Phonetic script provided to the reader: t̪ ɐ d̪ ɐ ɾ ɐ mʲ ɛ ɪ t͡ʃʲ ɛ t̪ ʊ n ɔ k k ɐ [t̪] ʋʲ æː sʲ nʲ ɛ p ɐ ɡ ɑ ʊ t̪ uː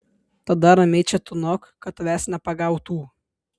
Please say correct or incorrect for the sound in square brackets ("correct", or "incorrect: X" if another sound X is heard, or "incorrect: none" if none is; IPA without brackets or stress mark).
correct